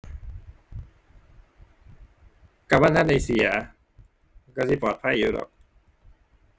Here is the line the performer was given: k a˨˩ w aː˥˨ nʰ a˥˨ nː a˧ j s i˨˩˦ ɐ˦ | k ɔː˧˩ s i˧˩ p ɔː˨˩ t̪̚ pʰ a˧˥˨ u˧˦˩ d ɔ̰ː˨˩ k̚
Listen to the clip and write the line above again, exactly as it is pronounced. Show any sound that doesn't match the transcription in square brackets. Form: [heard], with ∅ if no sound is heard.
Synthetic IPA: k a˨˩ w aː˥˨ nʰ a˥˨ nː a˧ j s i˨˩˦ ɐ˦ | k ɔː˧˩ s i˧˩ p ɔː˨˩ t̪̚ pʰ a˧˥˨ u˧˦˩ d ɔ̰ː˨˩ k̚